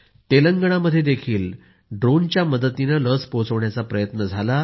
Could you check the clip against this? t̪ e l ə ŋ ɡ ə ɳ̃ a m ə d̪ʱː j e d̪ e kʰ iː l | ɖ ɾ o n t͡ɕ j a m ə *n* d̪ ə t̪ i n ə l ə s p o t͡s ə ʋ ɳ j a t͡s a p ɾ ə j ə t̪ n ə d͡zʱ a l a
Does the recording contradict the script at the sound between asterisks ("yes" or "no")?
yes